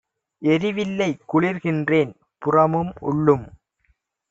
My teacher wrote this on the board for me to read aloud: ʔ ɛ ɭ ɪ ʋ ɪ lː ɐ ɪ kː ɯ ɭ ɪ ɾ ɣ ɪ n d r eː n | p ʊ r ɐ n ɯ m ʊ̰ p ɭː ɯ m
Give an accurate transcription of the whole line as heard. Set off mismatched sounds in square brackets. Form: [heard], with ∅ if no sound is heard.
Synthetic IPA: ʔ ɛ [ɾ] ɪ ʋ ɪ lː ɐ ɪ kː [ʊ] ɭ ɪ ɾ ɣ ɪ n d r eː n | p ʊ r ɐ [m] ɯ m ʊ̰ [∅] ɭː ɯ m